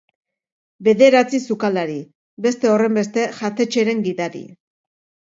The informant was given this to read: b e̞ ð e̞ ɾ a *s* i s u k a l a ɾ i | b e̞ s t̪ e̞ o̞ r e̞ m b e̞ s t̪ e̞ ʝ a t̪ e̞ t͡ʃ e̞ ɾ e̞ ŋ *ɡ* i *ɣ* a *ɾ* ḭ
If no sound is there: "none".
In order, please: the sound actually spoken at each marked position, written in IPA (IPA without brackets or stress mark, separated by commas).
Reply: t͡s, ɡ, ð, ɾ